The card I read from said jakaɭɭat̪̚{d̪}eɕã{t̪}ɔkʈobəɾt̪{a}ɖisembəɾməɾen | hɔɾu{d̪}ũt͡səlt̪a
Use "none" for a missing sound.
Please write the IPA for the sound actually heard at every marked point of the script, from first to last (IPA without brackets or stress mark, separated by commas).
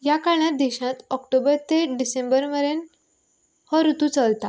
d̪, t̪, e, t̪